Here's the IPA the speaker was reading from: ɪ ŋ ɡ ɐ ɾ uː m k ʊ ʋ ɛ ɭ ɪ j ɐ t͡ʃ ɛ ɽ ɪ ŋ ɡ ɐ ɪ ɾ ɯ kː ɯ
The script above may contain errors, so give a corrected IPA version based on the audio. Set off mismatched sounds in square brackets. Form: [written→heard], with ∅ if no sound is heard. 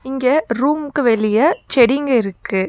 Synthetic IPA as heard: ɪ ŋ ɡ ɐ ɾ uː m k [ʊ→ɯ] ʋ ɛ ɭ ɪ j ɐ t͡ʃ ɛ ɽ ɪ ŋ ɡ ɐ ɪ ɾ ɯ kː ɯ